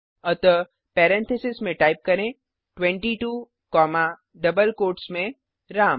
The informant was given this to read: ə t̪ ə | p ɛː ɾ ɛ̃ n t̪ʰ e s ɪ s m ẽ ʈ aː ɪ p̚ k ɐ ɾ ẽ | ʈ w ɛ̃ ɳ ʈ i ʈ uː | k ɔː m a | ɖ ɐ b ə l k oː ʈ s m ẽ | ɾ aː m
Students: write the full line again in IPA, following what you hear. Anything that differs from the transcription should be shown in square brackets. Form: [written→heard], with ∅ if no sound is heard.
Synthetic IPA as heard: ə t̪ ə | p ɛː ɾ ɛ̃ n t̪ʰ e s ɪ s m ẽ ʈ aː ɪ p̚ k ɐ ɾ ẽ | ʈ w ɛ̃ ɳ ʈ i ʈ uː | k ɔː m a | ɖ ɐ b ə l k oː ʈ s m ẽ | ɾ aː m